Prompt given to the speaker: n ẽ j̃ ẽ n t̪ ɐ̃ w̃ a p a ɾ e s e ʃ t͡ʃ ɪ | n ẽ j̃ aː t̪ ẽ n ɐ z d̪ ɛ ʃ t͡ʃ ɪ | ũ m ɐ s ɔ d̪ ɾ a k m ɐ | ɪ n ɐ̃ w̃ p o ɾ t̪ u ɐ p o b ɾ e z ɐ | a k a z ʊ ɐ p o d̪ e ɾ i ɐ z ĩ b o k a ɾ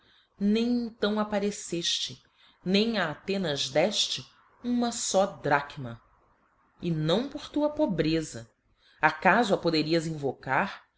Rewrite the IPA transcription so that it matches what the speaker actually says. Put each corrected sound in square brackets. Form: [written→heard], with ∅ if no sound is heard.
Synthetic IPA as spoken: n ẽ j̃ ẽ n t̪ ɐ̃ w̃ a p a ɾ e s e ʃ t͡ʃ ɪ | n ẽ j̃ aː t̪ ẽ n ɐ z d̪ ɛ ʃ t͡ʃ ɪ | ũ m ɐ s ɔ d̪ ɾ a k m ɐ | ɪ n ɐ̃ w̃ p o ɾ t̪ u ɐ p o b ɾ e z ɐ | a k a z ʊ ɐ p o d̪ e ɾ i ɐ z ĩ [b→v] o k a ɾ

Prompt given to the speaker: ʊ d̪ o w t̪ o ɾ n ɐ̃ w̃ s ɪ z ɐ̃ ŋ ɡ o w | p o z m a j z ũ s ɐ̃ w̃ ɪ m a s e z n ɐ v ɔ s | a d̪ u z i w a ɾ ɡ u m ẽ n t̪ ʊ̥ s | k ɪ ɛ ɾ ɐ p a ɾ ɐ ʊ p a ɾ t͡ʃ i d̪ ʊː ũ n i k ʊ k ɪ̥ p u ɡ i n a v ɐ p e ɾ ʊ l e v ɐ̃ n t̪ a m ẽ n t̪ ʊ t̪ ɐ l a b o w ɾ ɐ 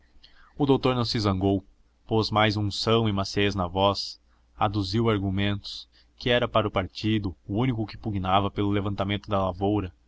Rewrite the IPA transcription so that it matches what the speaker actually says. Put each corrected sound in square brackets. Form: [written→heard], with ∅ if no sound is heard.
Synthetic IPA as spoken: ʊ d̪ o w t̪ o ɾ n ɐ̃ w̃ s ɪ z ɐ̃ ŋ ɡ o w | p o z m a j z ũ s ɐ̃ w̃ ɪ m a s e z n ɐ v ɔ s | a d̪ u z i w a ɾ ɡ u m ẽ n t̪ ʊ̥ s | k ɪ ɛ ɾ ɐ p a ɾ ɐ ʊ p a ɾ t͡ʃ i d̪ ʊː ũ n i k ʊ k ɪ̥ p u ɡ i n a v ɐ p e [ɾ→l] ʊ l e v ɐ̃ n t̪ a m ẽ n t̪ ʊ [t̪→d̪] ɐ l a [b→v] o w ɾ ɐ

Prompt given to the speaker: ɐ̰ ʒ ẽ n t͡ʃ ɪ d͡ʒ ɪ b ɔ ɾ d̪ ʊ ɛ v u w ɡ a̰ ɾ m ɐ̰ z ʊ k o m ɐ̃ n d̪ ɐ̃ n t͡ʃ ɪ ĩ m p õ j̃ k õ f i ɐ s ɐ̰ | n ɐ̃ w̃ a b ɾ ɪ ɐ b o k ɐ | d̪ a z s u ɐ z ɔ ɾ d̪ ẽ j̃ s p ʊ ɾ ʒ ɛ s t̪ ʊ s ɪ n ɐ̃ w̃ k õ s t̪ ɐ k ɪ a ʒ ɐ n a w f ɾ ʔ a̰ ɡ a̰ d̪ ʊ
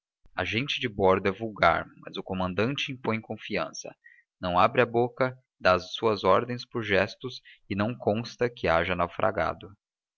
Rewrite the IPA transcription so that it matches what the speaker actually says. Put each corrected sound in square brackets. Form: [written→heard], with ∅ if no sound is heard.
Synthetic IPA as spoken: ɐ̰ ʒ ẽ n t͡ʃ ɪ d͡ʒ ɪ b ɔ ɾ d̪ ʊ ɛ v u w ɡ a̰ ɾ m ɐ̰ z ʊ k o m ɐ̃ n d̪ ɐ̃ n t͡ʃ ɪ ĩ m p õ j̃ k õ f i [ɐ→ɐ̃] s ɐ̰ | n ɐ̃ w̃ a b ɾ ɪ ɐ b o k ɐ | d̪ a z s u ɐ z ɔ ɾ d̪ ẽ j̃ s p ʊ ɾ ʒ ɛ s t̪ ʊ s ɪ n ɐ̃ w̃ k õ s t̪ ɐ k ɪ a ʒ ɐ n a w f ɾ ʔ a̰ ɡ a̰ d̪ ʊ

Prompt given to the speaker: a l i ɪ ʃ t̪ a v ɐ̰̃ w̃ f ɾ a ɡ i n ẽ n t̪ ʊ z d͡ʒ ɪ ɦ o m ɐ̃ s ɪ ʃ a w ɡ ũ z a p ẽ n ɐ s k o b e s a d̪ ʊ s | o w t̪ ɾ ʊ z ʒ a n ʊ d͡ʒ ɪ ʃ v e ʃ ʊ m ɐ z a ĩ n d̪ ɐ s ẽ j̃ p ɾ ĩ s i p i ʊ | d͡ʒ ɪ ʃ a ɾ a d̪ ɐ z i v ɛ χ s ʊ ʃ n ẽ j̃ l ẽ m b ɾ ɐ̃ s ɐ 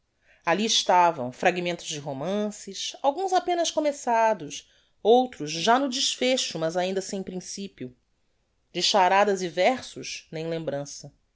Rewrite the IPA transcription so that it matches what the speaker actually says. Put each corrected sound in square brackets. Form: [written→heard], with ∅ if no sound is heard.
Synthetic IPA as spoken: a l i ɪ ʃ t̪ a v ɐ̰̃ w̃ f ɾ a ɡ i [n→m] ẽ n t̪ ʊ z d͡ʒ ɪ ɦ o m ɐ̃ s ɪ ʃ a w ɡ ũ z a p ẽ n ɐ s k o [b→m] e s a d̪ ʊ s | o w t̪ ɾ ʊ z ʒ a n ʊ d͡ʒ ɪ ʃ [v→f] e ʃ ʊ m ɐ z a ĩ n d̪ ɐ s ẽ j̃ p ɾ ĩ s i p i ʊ | d͡ʒ ɪ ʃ a ɾ a d̪ ɐ z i v ɛ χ s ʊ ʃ n ẽ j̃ l ẽ m b ɾ ɐ̃ s ɐ

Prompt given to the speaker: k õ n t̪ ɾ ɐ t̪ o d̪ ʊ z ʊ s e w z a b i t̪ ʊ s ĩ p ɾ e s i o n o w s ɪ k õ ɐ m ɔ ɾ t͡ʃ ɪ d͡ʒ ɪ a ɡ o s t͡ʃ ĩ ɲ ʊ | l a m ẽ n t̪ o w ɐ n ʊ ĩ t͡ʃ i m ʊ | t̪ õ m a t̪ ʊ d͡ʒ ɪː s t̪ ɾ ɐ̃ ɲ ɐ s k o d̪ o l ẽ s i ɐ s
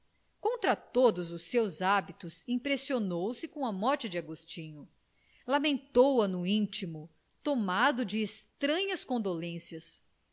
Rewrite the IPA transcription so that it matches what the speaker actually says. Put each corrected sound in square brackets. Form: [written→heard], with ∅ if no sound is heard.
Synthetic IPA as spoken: k õ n t̪ ɾ ɐ t̪ o d̪ ʊ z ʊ s e w z a b i t̪ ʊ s ĩ p ɾ e s i o n o w s ɪ k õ ɐ m ɔ ɾ t͡ʃ ɪ d͡ʒ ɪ a ɡ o s t͡ʃ ĩ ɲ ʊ | l a m ẽ n t̪ o w ɐ n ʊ ĩ t͡ʃ i m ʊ | t̪ [õ→o] m a [t̪→d̪] ʊ d͡ʒ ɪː s t̪ ɾ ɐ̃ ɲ ɐ s k [o→õ] d̪ o l ẽ s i ɐ s

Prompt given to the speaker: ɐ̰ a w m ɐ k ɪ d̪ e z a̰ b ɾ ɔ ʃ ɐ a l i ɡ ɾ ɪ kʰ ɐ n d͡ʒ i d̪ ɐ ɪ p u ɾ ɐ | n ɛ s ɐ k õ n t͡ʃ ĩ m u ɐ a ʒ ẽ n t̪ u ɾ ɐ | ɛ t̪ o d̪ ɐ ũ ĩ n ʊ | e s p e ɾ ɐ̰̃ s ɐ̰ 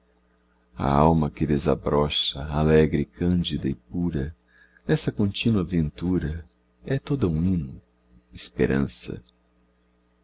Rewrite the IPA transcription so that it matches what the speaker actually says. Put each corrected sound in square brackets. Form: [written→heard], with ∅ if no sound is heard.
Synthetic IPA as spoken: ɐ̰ a w m ɐ k ɪ d̪ e z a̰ b ɾ ɔ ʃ ɐ a l [i→ɛ] ɡ ɾ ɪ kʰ [ɐ→ɐ̃] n d͡ʒ i d̪ ɐ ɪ p u ɾ ɐ | n ɛ s ɐ k õ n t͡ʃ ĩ [m→n] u ɐ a [ʒ→v] ẽ n t̪ u ɾ ɐ | ɛ t̪ o d̪ ɐ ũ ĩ n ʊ | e s p e ɾ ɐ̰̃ s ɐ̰

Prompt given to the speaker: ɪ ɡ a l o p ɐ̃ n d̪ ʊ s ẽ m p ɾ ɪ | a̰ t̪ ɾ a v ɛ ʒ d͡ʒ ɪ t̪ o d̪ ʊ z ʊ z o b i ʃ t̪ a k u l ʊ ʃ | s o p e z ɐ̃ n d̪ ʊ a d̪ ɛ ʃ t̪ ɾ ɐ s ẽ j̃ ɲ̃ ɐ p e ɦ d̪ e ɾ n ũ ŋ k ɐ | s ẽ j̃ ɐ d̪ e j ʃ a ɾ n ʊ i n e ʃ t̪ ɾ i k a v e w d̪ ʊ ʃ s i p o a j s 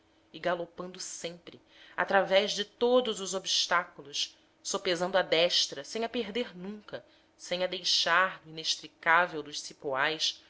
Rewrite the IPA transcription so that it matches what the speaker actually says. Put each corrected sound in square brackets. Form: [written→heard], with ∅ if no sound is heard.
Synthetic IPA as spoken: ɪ ɡ a l o p ɐ̃ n d̪ ʊ s ẽ m p ɾ ɪ | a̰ t̪ ɾ a v ɛ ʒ d͡ʒ ɪ t̪ o d̪ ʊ z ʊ z o b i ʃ t̪ a k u l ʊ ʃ | s o p e z ɐ̃ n d̪ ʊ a d̪ ɛ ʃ t̪ ɾ ɐ s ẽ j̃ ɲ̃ ɐ p e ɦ d̪ e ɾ n ũ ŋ k ɐ | s ẽ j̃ ɐ d̪ e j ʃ a ɾ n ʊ i n e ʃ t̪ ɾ i k a v e w d̪ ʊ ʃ s i p o a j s

